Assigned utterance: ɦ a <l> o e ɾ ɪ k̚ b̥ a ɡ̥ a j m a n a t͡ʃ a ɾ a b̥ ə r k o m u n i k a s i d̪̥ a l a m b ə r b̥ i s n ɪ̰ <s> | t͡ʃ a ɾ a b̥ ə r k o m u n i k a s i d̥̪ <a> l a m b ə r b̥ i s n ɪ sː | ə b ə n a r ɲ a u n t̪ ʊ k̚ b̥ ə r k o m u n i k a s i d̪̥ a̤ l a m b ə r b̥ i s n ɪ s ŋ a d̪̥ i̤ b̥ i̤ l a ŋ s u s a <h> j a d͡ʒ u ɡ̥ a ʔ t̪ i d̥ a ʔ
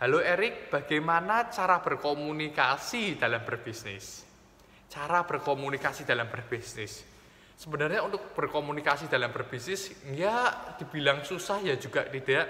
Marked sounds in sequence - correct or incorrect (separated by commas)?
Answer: correct, correct, correct, correct